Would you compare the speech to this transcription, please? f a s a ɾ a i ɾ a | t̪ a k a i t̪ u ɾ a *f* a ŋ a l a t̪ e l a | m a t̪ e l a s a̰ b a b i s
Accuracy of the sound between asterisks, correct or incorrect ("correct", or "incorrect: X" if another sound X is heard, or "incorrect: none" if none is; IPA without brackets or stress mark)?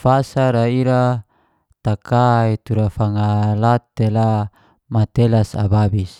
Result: correct